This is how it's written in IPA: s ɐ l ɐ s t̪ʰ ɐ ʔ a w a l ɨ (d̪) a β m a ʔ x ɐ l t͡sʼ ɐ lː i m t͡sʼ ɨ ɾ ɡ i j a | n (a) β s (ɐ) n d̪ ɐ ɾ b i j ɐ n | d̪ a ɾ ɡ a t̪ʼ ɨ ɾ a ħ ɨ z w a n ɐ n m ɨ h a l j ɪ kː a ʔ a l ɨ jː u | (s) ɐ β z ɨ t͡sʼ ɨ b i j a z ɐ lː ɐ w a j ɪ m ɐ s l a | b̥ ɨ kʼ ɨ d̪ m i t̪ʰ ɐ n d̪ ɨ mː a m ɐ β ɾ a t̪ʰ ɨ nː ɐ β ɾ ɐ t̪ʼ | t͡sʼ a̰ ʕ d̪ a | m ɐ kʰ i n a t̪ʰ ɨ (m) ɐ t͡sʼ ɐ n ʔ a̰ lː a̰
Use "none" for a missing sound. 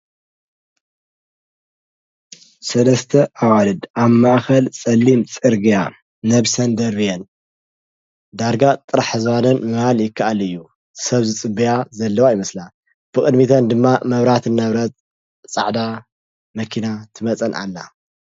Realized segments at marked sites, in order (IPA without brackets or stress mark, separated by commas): d̪, ɐ, ɐ, s, m